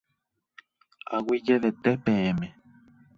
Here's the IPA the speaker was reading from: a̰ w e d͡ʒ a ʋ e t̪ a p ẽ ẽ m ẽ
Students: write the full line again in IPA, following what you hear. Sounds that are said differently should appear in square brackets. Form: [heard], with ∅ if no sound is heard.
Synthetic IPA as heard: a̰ w [i] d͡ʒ [e] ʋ e t̪ [e] p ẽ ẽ m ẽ